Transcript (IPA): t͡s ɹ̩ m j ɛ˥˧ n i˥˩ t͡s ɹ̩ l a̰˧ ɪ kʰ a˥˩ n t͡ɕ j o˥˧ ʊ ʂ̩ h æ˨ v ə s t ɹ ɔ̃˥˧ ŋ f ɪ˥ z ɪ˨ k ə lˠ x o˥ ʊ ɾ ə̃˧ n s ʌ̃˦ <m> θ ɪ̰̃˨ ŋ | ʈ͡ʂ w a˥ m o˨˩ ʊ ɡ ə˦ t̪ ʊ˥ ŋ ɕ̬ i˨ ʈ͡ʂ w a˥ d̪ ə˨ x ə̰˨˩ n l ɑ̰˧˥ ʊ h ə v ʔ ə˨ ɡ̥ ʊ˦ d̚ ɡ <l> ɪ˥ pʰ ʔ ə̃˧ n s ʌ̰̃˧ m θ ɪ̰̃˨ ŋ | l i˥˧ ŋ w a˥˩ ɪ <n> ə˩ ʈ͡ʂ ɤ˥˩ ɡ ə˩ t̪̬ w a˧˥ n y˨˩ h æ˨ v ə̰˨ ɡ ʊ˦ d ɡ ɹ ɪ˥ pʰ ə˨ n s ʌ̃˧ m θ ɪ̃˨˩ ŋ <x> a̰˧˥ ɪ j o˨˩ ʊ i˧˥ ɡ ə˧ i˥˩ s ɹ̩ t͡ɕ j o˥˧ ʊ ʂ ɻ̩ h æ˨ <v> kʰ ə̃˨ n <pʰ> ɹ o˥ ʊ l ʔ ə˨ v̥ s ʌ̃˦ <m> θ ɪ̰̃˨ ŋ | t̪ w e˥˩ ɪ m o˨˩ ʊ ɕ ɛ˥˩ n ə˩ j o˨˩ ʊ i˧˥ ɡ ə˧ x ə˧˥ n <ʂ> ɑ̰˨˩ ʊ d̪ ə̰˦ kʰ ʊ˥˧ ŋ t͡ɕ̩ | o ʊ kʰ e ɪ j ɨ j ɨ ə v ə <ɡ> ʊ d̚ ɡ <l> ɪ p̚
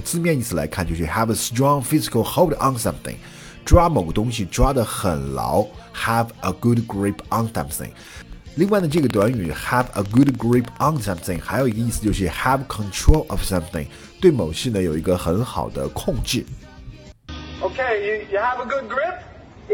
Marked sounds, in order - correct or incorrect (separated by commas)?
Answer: correct, incorrect, correct, correct, correct, incorrect, correct, incorrect, correct, incorrect